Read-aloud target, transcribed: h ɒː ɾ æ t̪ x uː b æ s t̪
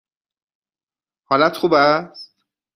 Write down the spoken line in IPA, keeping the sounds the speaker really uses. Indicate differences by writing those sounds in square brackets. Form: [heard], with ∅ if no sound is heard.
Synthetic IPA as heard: h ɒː [l] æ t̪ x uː b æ s t̪